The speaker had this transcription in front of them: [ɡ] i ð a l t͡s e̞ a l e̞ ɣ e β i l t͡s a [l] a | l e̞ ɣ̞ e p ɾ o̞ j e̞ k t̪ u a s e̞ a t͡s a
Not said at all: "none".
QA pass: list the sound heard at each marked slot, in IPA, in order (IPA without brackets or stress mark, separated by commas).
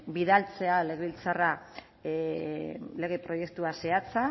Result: b, r